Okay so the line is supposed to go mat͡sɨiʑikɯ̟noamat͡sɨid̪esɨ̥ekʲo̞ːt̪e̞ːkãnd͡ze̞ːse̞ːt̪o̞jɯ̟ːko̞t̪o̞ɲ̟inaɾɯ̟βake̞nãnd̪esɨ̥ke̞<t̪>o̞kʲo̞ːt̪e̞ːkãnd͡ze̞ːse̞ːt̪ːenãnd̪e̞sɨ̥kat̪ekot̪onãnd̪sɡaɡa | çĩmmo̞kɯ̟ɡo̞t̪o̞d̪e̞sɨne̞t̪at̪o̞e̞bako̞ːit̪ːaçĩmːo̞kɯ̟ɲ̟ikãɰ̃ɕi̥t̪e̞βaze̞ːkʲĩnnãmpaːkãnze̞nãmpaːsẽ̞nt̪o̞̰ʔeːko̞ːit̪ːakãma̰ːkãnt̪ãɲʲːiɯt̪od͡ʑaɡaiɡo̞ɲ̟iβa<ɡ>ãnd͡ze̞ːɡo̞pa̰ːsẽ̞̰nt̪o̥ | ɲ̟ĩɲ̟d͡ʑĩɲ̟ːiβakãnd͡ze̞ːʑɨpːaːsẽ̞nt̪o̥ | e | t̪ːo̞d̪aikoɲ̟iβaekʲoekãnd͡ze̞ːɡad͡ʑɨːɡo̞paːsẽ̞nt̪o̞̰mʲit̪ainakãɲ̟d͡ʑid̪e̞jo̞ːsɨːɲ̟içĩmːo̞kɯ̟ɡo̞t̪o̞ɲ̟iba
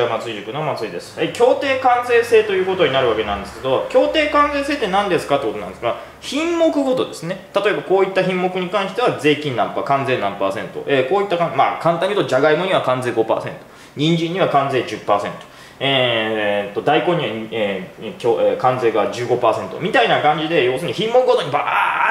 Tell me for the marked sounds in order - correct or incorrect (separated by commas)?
incorrect, incorrect